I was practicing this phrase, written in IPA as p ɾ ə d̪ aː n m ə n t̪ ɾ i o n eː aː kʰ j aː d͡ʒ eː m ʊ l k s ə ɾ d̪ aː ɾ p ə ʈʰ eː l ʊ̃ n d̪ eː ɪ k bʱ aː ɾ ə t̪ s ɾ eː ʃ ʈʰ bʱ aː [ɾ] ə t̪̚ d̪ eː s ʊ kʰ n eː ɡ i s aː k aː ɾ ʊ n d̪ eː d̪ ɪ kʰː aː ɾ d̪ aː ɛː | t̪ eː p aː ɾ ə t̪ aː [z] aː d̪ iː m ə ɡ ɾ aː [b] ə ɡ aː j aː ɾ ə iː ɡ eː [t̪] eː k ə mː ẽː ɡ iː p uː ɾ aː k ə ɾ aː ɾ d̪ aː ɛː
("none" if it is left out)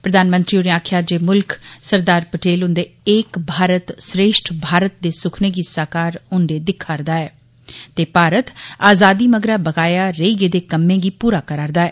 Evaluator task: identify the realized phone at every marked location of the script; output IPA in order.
ɾ, z, b, d̪

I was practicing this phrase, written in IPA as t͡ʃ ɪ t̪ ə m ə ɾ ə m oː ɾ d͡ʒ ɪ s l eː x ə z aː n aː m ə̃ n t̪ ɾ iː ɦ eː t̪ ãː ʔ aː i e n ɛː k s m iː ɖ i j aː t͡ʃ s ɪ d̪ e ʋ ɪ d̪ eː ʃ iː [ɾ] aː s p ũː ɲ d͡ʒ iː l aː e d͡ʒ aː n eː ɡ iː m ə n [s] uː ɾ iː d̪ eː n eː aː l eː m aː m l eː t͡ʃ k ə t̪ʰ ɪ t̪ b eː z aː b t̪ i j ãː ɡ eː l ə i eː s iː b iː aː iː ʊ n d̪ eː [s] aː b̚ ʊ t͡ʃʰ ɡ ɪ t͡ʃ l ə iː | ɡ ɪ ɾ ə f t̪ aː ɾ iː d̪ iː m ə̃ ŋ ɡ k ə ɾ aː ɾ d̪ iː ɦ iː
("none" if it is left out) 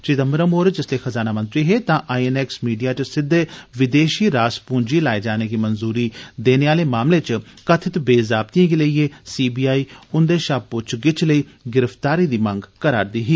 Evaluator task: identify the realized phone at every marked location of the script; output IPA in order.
ɾ, z, ʃ

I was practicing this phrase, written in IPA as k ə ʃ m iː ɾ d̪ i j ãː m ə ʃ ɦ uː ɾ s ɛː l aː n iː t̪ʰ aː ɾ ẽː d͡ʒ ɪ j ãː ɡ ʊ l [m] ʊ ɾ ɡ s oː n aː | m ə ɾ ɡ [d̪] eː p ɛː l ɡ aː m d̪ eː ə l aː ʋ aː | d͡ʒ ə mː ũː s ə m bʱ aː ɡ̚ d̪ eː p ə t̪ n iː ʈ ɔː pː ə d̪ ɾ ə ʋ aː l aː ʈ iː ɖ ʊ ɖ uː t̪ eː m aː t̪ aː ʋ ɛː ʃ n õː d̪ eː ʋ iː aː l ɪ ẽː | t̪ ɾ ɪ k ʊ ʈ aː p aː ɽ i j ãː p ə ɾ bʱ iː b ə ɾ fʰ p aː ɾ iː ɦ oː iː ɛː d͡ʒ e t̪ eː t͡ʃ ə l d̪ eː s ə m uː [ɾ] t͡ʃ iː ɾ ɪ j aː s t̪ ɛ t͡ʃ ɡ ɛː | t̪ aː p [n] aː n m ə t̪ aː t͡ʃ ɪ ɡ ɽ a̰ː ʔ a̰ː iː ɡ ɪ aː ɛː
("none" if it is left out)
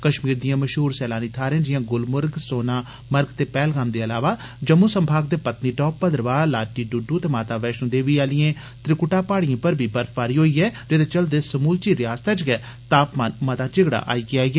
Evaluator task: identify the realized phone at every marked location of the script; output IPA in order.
m, t̪, l, m

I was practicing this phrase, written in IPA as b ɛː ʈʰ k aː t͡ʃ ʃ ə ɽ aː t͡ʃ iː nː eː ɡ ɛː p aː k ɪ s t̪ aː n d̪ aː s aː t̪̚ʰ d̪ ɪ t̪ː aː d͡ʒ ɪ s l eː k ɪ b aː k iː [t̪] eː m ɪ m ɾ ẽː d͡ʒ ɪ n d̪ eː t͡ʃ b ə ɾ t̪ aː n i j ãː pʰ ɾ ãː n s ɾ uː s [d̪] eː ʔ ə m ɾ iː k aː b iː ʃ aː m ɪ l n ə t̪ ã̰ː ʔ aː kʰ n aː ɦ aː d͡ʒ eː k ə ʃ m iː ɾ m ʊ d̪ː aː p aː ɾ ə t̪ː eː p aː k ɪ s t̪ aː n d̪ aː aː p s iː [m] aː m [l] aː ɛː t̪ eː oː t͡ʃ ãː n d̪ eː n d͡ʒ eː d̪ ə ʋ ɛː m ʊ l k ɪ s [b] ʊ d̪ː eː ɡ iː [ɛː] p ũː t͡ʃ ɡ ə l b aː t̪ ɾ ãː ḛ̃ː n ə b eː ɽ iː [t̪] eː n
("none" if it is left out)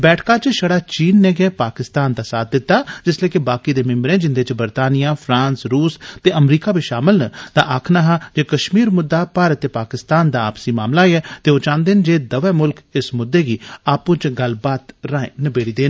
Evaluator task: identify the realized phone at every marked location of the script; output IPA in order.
d̪, t̪, m, l, m, aː, d̪

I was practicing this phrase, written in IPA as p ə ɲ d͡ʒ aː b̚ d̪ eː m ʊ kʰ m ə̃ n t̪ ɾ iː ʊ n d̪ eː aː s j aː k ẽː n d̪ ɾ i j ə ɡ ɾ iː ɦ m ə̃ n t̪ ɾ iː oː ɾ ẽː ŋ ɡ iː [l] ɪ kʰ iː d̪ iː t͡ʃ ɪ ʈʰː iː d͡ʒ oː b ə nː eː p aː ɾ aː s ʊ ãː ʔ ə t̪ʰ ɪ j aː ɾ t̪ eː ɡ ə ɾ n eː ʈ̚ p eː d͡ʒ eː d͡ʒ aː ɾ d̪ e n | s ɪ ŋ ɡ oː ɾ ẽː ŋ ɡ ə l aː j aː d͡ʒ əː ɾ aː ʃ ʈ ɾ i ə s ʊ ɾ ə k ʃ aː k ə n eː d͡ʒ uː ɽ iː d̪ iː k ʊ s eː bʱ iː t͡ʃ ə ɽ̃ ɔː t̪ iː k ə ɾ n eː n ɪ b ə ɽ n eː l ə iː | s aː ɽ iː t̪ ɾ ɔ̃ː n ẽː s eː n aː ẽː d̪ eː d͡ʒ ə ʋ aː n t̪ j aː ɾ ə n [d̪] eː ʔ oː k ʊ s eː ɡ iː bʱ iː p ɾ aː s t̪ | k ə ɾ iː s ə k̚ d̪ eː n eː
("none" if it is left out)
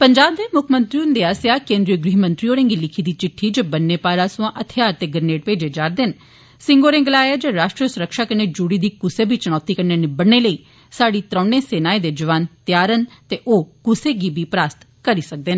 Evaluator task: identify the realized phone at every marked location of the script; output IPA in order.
l, t̪

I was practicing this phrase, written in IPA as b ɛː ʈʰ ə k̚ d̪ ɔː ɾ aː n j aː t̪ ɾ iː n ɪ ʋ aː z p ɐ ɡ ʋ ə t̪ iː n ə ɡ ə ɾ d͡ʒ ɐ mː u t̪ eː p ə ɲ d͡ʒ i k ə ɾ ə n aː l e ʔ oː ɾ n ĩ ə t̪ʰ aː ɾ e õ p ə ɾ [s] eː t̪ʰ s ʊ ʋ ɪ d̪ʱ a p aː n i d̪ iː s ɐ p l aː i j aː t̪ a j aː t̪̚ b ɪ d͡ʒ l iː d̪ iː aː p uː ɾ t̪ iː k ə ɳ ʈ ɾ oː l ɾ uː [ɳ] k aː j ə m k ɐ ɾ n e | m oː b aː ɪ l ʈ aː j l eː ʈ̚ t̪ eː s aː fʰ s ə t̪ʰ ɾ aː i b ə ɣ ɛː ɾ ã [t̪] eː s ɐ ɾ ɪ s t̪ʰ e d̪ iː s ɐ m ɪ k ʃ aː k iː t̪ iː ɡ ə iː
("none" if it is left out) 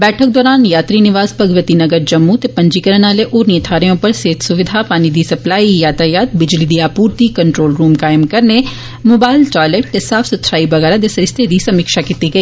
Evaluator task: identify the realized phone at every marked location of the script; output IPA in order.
s, m, d̪

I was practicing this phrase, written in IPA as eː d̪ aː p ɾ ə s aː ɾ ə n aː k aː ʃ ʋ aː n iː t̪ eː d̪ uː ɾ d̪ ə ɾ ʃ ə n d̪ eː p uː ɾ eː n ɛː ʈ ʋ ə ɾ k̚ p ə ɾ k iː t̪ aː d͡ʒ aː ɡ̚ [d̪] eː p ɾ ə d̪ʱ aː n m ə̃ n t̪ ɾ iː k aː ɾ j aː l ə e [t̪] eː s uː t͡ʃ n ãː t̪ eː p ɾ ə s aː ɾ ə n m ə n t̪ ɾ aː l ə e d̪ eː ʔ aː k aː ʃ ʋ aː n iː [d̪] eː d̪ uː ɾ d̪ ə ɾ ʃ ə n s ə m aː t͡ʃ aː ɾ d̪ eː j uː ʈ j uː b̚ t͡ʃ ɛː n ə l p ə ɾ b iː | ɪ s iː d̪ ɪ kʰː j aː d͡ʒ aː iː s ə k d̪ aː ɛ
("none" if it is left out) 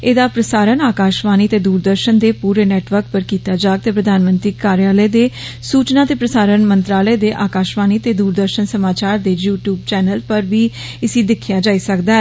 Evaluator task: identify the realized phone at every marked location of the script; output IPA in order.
t̪, d̪, t̪

